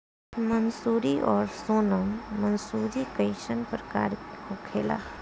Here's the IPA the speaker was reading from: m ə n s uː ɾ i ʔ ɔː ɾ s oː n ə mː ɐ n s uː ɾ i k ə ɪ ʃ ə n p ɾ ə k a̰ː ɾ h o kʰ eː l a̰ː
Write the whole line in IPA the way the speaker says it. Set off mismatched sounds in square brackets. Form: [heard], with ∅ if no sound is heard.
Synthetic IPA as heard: m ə n s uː ɾ i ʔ ɔː ɾ s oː n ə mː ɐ n s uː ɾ i k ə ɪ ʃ ə n p ɾ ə k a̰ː ɾ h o kʰ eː l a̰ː